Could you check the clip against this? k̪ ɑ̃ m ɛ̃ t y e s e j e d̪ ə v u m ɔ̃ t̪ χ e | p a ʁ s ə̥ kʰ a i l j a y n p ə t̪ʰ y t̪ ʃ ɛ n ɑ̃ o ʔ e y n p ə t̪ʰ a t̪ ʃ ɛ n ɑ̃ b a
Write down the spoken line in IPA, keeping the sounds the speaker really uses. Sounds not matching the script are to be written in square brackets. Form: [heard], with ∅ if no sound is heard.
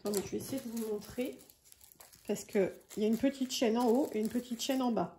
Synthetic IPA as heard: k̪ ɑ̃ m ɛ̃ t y e s e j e d̪ ə v u m ɔ̃ t̪ χ e | p a ʁ s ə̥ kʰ [ə] i l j a y n p ə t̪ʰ [i] t̪ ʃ ɛ n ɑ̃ o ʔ e y n p ə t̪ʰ [i] t̪ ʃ ɛ n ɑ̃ b a